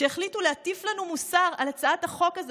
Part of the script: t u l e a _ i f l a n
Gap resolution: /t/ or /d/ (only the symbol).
t